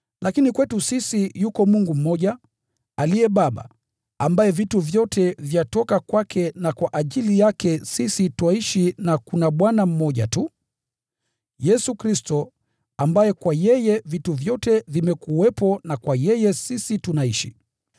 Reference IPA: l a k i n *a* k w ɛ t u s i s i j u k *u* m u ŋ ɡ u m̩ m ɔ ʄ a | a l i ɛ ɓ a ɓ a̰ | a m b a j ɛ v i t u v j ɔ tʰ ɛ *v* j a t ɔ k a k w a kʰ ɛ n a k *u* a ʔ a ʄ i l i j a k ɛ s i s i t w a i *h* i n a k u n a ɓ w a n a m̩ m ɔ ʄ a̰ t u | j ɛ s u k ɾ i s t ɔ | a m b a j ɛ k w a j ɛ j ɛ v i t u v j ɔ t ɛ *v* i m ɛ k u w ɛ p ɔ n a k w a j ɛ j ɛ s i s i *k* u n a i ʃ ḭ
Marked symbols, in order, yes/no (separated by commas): no, no, yes, no, no, yes, no